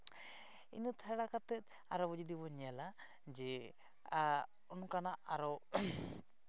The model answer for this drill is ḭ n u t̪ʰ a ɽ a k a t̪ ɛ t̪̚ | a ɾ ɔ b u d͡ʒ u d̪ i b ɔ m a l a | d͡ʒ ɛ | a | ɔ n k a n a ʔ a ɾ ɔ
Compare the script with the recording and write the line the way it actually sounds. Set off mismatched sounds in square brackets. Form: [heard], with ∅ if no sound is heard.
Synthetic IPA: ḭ n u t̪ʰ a ɽ a k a t̪ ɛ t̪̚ | a ɾ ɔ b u d͡ʒ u d̪ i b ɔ [ɲ] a l a | d͡ʒ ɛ | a | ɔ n k a n a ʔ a ɾ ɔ

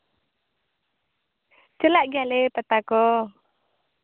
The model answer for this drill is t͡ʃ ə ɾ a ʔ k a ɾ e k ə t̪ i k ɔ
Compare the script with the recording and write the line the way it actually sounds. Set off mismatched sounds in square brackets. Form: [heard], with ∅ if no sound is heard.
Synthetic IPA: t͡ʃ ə [l] a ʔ [ɡ] a [l] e [p] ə t̪ [a] k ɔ

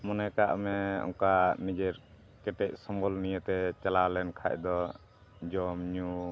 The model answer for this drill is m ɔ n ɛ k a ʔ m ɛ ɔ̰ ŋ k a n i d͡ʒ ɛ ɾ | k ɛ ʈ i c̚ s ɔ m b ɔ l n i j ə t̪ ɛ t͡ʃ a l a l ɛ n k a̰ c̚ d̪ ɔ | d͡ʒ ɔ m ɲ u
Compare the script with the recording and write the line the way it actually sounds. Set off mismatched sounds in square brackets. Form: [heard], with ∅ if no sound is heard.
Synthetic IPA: m ɔ n ɛ k a ʔ m ɛ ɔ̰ ŋ k a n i d͡ʒ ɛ ɾ | k ɛ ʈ [ɛ] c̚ s ɔ m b ɔ l n i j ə t̪ ɛ t͡ʃ a l a l ɛ n [kʰ] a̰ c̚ d̪ ɔ | d͡ʒ ɔ m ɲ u

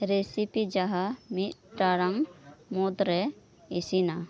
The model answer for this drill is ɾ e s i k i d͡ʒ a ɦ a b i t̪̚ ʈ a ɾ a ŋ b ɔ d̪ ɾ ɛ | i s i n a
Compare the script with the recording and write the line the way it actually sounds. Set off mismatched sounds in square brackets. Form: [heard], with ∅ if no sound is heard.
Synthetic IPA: ɾ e s i [p] i d͡ʒ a ɦ a [m] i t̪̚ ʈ a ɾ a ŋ [m] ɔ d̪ ɾ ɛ | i s i n a

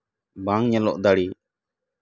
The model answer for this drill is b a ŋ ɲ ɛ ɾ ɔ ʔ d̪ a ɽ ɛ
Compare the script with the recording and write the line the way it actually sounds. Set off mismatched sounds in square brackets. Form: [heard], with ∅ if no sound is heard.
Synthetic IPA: b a ŋ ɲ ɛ [l] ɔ ʔ d̪ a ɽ [i]

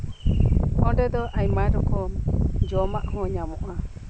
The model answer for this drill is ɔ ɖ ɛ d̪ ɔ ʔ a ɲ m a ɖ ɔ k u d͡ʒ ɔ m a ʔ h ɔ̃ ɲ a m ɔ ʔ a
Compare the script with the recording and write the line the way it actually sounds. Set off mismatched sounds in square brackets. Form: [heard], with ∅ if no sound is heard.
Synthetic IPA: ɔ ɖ ɛ d̪ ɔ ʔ a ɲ m a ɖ ɔ k [ɔ] d͡ʒ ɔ m a ʔ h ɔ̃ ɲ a m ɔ ʔ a

